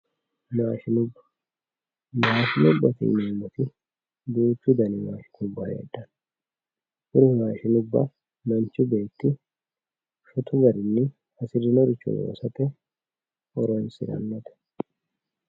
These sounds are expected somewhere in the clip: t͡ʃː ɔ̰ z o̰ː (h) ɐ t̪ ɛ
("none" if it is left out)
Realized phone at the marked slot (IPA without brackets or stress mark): s